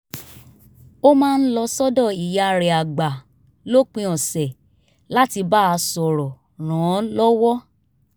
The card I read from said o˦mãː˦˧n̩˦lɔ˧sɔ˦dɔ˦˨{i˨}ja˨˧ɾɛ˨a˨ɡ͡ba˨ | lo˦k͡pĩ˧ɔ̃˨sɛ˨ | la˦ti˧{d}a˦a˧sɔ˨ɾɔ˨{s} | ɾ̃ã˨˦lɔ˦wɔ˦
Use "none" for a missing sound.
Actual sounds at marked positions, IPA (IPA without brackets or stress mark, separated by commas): i˨, b, none